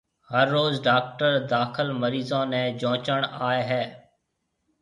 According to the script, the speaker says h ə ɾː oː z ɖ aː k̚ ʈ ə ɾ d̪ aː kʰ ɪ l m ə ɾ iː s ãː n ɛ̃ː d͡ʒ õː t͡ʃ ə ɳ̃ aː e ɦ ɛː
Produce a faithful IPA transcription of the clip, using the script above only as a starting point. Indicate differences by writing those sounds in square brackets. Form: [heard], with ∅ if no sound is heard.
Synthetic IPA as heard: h ə ɾː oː z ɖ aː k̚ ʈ ə ɾ d̪ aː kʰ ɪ l m ə ɾ iː [z] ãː n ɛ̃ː d͡ʒ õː t͡ʃ ə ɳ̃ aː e ɦ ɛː